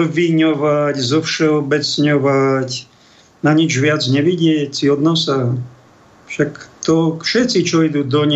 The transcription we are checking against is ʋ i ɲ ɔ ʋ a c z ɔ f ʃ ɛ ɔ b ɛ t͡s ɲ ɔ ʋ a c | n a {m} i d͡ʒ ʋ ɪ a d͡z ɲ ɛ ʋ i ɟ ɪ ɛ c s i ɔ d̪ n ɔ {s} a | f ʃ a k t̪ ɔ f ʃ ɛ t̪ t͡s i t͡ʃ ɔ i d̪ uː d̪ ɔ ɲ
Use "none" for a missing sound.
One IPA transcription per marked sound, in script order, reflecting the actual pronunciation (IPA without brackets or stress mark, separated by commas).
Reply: ɲ, s